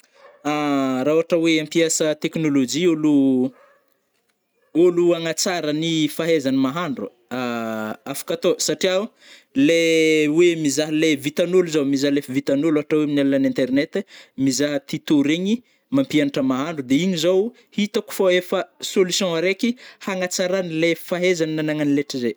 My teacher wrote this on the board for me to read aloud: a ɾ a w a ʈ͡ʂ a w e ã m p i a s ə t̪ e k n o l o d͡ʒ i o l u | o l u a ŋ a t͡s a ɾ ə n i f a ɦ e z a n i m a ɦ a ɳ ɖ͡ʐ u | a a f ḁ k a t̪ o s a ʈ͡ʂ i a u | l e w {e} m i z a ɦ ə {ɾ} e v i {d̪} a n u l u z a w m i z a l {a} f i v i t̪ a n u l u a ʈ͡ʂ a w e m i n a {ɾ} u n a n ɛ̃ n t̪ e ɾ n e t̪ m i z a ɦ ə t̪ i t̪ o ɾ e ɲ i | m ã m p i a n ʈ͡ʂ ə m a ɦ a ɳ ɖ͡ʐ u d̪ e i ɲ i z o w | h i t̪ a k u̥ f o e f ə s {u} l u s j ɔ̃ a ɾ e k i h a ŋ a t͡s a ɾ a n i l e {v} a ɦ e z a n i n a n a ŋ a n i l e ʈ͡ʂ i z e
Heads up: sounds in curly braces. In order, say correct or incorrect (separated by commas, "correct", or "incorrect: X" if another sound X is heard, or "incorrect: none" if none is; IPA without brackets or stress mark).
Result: correct, incorrect: l, incorrect: t̪, incorrect: e, incorrect: l, incorrect: o, incorrect: f